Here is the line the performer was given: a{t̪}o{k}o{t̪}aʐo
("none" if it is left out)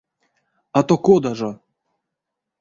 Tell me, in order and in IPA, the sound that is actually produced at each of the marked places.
t̪, k, d̪

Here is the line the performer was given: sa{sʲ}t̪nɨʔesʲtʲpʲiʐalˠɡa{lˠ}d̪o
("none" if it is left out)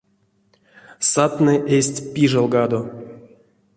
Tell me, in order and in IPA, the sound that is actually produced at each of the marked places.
none, none

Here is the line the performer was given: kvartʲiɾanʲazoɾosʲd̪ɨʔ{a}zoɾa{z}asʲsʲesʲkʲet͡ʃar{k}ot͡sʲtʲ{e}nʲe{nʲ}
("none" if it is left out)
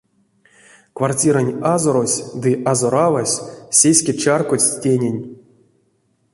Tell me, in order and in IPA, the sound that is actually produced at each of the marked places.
a, v, k, e, nʲ

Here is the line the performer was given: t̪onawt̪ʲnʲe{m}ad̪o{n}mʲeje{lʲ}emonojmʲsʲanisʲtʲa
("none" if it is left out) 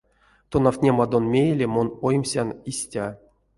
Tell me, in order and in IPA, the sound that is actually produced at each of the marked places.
m, n, lʲ

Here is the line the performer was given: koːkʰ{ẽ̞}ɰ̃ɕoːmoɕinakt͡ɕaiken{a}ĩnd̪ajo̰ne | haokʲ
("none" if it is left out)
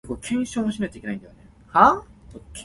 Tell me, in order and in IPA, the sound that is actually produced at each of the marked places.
ẽ̞, a

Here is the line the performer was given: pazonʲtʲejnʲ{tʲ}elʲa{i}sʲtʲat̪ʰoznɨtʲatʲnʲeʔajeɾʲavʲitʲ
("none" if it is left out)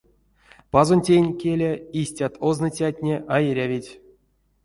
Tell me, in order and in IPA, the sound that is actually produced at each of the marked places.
kʲ, i

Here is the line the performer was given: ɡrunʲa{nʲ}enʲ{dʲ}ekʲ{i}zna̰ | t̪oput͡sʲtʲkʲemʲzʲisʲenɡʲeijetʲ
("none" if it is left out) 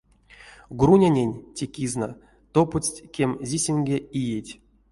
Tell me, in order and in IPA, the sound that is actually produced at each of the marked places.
nʲ, tʲ, i

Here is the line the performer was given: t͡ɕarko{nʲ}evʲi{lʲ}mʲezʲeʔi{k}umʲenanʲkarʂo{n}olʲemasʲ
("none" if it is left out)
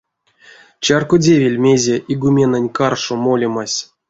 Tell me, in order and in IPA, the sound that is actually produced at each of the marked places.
dʲ, lʲ, ɡ, m

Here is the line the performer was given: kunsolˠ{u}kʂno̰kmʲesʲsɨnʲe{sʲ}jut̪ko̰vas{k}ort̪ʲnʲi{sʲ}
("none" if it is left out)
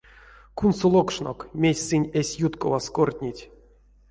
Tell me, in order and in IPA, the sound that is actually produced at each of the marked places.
o, sʲ, k, tʲ

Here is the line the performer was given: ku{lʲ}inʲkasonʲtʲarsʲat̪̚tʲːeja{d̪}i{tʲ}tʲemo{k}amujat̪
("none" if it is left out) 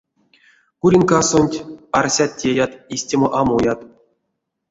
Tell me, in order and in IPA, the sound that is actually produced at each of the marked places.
ɾʲ, t̪, sʲ, ʔ

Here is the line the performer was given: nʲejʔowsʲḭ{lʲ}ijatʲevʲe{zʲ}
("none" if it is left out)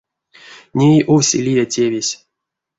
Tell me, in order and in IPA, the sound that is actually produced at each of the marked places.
lʲ, sʲ

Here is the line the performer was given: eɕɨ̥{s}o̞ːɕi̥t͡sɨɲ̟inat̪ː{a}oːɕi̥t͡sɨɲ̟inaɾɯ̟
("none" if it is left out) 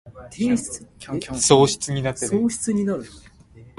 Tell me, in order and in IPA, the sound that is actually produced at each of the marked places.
s, e

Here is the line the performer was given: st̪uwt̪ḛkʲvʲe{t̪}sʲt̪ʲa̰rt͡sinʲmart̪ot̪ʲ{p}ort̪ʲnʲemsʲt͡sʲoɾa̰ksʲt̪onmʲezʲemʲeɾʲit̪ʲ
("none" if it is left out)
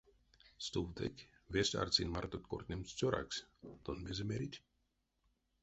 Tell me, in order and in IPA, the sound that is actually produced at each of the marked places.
none, k

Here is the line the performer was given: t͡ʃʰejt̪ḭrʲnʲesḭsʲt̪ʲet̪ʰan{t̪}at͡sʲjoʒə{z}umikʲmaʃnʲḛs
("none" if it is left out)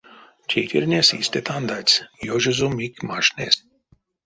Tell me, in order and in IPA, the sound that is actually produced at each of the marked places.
d̪, z

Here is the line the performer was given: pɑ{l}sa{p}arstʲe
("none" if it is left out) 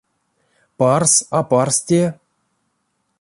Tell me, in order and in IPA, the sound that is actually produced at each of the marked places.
r, p

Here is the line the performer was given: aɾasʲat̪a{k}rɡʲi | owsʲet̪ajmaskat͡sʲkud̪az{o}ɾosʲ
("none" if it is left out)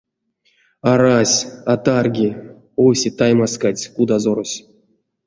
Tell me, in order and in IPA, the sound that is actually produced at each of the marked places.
none, o

